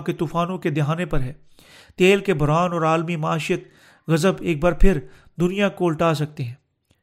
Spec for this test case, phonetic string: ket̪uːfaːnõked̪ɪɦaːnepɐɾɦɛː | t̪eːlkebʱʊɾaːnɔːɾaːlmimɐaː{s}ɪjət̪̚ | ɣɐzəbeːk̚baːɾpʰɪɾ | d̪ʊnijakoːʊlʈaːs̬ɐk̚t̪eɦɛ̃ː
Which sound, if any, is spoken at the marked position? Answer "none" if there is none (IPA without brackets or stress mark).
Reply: ʃ